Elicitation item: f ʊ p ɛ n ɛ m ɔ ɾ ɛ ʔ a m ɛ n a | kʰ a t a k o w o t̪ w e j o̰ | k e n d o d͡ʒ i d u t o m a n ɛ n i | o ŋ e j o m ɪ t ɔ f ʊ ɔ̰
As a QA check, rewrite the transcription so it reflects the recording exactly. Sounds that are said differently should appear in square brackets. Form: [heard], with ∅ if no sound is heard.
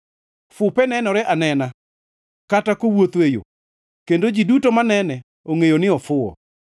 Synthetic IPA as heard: f ʊ p ɛ n ɛ [n] ɔ ɾ ɛ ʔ a [n] ɛ n a | [k] a t a k o w o t̪ w e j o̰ | k e n d o d͡ʒ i d u t o m a n ɛ n [ɛ] | o ŋ e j o [n] ɪ [∅] ɔ f ʊ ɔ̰